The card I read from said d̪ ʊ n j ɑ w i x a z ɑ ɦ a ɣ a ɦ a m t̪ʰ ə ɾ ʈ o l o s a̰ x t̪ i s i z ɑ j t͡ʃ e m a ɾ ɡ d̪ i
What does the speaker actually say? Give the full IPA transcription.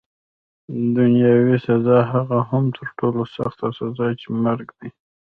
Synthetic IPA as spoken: d̪ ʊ n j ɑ w i s a z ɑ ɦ a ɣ a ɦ a m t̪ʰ ə ɾ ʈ o l o s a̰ x t̪ a s a z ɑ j t͡ʃ e m a ɾ ɡ d̪ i